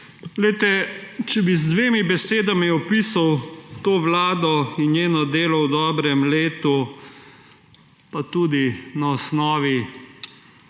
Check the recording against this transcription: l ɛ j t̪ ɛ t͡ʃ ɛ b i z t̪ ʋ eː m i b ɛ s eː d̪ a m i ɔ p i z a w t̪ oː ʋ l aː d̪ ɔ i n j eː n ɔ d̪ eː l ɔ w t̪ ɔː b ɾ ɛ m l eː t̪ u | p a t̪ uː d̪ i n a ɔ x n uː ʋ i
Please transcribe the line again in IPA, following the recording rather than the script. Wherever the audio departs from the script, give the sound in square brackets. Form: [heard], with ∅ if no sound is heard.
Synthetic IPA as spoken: l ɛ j t̪ ɛ t͡ʃ ɛ b i z [d̪] ʋ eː m i b ɛ s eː d̪ a m i ɔ p i [s] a w t̪ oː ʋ l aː d̪ ɔ i n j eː n ɔ d̪ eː l ɔ w [d̪] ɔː b ɾ ɛ m l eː t̪ u | p a t̪ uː d̪ i n a ɔ [s] n [ɔː] ʋ i